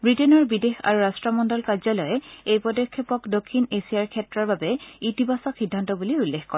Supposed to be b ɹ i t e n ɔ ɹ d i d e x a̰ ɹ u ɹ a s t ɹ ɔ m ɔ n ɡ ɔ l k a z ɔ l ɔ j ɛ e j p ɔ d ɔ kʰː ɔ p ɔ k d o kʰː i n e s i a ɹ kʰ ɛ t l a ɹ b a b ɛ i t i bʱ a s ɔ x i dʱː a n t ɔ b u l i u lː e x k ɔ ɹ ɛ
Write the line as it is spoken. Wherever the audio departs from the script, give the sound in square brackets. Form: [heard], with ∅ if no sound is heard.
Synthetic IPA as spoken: b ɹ i t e n ɔ ɹ [b] i d e x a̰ ɹ u ɹ a s t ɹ ɔ m ɔ n [d] ɔ l k a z ɔ l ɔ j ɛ e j p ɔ d ɔ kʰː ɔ p ɔ k d o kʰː i n e s i a ɹ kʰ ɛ t [ɹ] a ɹ b a b ɛ i t i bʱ a s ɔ x i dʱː a n t ɔ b u l i u lː e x k ɔ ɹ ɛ